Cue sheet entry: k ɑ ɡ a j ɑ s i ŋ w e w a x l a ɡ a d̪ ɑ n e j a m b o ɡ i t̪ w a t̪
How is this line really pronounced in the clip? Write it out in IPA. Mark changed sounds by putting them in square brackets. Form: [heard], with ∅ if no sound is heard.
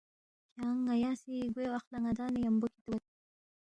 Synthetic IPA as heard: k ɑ [ŋ] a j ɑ s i [ɡ] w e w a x l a [ŋ] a d̪ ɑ n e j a m b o [k] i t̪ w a t̪